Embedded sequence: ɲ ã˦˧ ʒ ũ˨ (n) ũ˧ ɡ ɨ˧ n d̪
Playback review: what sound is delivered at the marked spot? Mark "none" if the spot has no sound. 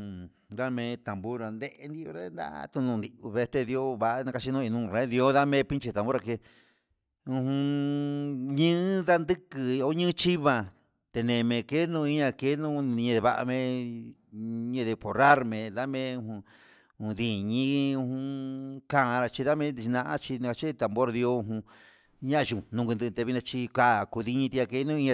n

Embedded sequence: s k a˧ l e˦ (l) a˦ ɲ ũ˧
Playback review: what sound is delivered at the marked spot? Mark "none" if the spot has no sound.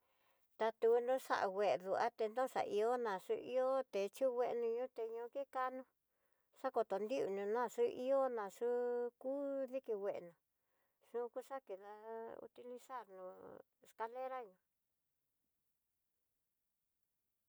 ɾ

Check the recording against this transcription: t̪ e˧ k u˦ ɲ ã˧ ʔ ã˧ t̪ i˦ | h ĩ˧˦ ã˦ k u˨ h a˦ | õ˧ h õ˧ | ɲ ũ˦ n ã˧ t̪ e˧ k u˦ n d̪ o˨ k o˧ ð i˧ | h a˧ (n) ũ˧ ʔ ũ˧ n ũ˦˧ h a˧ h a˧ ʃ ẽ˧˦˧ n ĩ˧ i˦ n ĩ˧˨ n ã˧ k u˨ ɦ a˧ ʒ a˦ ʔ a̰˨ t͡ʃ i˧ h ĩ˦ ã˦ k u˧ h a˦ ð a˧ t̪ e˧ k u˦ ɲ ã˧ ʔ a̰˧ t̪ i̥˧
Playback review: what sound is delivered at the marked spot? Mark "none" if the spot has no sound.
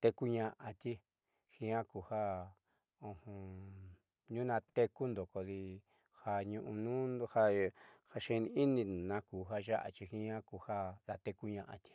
ɲ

